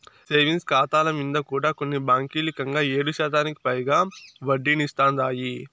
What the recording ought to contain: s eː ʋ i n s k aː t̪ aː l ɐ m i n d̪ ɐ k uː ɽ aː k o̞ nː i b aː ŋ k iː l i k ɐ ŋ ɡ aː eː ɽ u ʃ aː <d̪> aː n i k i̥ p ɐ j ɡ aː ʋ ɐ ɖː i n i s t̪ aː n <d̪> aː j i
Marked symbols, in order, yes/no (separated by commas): no, yes